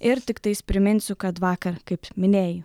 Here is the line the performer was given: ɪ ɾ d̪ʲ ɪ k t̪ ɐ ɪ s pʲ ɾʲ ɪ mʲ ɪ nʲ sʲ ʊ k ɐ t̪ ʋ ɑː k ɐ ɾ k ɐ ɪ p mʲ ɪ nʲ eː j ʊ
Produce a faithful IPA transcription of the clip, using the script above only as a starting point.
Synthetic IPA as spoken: ɪ ɾ t̪ʲ ɪ k t̪ ɐ ɪ s pʲ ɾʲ ɪ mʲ ɪ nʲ sʲ ʊ k ɐ t̪ ʋ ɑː k ɐ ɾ k ɐ ɪ p mʲ ɪ nʲ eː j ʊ